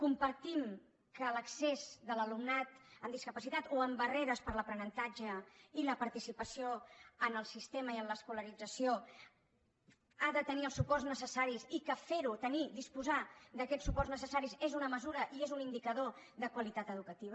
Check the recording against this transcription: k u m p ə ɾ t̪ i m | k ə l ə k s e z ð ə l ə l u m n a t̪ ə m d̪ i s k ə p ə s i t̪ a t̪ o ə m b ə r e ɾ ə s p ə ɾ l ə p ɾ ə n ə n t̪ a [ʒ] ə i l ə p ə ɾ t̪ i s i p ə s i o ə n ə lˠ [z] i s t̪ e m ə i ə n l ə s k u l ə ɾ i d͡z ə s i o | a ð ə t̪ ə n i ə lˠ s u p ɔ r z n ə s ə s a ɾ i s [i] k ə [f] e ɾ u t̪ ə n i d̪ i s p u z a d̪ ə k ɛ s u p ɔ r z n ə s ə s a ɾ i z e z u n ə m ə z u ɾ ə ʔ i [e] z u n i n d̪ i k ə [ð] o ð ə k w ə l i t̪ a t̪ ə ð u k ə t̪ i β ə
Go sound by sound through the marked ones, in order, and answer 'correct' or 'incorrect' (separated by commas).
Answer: incorrect, incorrect, correct, correct, correct, correct